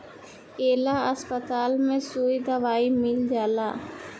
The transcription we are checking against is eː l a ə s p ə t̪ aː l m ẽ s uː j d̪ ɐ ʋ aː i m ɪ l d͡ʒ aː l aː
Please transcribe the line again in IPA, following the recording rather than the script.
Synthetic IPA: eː l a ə s p ə t̪ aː l m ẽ s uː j d̪ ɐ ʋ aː i m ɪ l d͡ʒ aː l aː